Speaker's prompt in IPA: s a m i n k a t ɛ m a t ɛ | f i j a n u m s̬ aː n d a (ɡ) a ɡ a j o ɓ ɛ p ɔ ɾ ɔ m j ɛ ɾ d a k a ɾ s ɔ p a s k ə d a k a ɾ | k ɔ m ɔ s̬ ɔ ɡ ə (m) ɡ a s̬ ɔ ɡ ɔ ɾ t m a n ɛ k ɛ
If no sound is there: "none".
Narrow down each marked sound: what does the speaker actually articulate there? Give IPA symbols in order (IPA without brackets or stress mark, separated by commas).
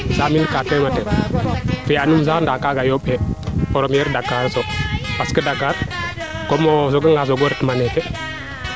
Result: k, ŋ